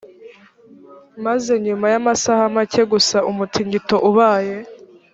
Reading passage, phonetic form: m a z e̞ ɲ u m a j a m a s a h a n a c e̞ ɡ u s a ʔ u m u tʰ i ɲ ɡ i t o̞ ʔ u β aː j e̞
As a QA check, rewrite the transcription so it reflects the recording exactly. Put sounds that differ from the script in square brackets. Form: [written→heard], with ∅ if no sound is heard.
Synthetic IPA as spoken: m a z e̞ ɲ u m a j a m a s a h a [n→m] a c e̞ ɡ u s a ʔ u m u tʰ i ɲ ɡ i t o̞ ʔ u β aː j e̞